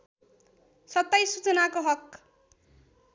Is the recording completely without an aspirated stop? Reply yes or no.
yes